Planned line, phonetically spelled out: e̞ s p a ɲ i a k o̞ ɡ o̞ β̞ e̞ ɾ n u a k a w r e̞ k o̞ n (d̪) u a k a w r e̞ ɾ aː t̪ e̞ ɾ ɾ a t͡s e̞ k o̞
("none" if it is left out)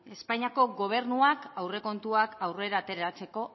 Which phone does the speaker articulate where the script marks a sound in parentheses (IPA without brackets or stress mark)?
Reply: t̪